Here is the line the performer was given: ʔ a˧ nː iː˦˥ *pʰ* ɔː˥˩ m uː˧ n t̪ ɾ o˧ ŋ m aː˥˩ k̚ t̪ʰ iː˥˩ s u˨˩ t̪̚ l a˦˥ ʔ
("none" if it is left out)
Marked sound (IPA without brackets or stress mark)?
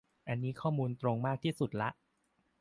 kʰ